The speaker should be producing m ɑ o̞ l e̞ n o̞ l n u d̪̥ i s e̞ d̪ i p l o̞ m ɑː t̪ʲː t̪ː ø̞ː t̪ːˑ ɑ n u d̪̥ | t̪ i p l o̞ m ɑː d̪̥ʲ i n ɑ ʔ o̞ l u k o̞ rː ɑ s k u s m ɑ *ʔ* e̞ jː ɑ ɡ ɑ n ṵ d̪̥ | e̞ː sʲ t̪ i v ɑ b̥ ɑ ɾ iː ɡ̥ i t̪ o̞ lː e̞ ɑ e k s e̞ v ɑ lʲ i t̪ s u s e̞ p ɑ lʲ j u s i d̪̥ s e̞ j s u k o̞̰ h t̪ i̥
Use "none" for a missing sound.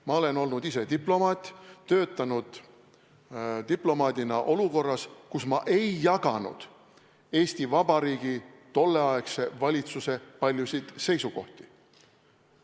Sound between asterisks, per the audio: ʔ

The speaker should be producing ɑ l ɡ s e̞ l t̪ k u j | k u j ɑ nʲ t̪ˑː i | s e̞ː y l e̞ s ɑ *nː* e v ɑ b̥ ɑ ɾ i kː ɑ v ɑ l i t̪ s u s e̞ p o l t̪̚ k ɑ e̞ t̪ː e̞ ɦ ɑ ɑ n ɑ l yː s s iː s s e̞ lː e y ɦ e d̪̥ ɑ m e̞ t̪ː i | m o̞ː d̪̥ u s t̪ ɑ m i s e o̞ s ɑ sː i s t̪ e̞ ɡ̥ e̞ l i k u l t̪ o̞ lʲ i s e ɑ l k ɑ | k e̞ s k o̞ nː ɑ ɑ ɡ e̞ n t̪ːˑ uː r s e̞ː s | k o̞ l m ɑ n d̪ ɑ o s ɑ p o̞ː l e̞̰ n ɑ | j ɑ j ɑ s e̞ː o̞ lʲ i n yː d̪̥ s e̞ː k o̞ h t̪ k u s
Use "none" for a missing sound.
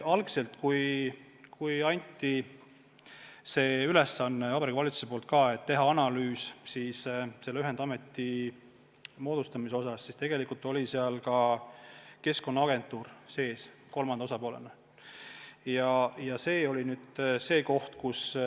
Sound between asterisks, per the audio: nː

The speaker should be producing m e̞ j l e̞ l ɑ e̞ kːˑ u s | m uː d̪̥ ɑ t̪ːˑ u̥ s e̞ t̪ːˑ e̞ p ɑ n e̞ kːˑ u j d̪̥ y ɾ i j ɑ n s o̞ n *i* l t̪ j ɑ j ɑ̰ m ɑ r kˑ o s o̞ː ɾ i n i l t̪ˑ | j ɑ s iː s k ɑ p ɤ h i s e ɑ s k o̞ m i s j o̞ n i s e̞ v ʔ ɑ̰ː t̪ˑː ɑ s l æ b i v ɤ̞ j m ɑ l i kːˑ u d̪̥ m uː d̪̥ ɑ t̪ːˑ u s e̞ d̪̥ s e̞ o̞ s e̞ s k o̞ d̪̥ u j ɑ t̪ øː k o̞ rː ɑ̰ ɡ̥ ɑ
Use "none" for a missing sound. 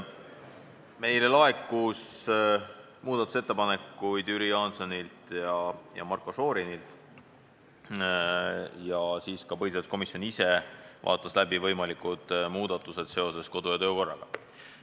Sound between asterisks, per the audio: i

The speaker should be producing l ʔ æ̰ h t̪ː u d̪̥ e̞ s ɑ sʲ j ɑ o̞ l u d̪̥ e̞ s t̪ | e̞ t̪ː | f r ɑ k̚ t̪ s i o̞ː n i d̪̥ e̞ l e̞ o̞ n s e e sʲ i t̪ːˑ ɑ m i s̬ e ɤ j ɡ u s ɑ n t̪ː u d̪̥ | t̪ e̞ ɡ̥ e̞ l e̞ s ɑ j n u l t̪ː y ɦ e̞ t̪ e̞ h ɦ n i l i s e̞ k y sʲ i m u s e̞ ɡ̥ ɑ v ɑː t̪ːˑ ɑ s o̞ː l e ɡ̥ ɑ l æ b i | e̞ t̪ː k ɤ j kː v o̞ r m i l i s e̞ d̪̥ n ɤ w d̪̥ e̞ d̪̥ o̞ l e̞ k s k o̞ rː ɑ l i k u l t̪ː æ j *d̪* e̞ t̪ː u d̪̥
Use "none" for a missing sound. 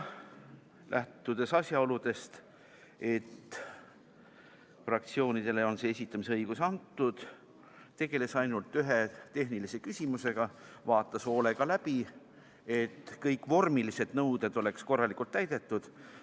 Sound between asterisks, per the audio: d̪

